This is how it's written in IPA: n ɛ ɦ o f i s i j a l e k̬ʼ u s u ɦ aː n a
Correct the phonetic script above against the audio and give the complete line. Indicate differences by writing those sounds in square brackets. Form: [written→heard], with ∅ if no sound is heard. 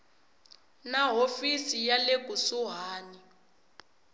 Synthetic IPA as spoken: n [ɛ→a] ɦ o f i s i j a l e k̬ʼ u s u ɦ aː n [a→i]